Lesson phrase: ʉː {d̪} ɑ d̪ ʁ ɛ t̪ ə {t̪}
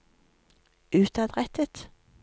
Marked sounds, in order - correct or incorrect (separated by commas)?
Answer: incorrect, correct